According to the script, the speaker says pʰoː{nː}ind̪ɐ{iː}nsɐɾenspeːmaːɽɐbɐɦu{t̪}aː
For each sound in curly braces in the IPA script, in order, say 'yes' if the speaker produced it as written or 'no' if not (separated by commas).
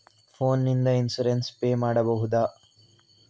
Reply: yes, no, no